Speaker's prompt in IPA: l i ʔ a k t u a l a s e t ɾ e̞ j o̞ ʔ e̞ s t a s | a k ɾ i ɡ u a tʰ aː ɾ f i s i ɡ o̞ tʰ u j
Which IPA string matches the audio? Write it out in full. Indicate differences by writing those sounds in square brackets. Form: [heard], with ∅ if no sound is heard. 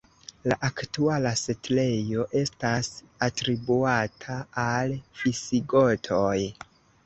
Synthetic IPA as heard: l [a] ʔ a k t u a l a s e t [l] e̞ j o̞ ʔ e̞ s t a s | a [t] ɾ i [b] u a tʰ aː [l] f i s i ɡ o̞ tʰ [o] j